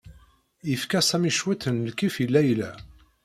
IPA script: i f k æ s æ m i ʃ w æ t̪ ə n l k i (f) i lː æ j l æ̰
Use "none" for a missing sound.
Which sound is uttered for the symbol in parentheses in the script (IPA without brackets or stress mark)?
f